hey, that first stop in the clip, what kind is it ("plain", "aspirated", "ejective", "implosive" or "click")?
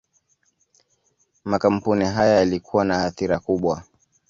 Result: plain